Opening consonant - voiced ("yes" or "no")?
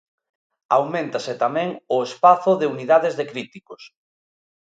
yes